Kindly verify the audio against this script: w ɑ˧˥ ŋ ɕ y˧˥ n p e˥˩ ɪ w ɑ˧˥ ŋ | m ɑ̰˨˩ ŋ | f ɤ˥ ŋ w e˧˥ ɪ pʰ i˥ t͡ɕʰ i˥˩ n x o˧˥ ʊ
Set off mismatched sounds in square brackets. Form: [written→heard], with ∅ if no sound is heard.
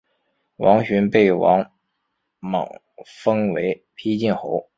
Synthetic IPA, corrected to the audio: w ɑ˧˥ ŋ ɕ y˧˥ n p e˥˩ ɪ w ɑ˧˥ ŋ | m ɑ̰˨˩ ŋ | f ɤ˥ ŋ w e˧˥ ɪ pʰ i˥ [t͡ɕʰ→t͡ɕ] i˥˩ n x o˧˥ ʊ